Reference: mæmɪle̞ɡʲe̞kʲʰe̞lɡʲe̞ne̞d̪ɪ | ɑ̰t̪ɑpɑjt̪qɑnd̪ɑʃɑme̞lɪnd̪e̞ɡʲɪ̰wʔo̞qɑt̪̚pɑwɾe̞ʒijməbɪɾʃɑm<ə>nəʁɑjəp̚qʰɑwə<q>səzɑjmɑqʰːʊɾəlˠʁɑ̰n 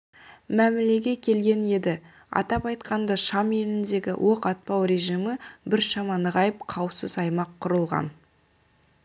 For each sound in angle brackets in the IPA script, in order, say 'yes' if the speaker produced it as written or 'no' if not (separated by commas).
no, no